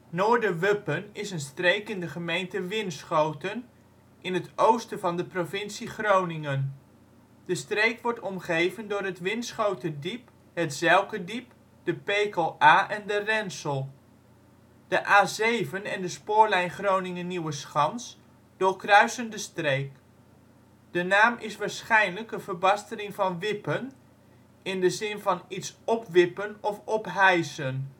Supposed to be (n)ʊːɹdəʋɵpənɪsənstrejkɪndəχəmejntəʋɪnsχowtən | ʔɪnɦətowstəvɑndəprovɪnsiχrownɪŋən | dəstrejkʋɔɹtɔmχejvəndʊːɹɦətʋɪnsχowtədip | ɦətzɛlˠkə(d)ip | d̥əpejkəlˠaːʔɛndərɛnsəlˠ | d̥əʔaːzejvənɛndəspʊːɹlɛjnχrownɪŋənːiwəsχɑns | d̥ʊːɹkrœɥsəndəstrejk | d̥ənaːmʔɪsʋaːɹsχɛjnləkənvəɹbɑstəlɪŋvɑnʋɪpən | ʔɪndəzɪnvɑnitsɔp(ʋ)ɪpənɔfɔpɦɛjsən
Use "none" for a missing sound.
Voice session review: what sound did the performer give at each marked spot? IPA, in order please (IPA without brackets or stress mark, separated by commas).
n, d, ʋ